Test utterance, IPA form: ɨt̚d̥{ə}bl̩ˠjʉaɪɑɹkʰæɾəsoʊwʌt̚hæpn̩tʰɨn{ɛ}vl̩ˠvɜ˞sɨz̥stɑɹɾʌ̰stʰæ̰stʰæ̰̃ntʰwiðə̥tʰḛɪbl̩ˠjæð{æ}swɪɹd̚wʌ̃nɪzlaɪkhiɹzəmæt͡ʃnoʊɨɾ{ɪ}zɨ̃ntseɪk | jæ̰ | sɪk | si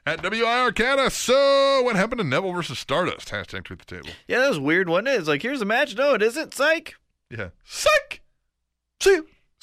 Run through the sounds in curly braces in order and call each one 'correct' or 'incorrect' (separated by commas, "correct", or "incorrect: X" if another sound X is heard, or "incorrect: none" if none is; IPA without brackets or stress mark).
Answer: incorrect: ʌ, correct, correct, correct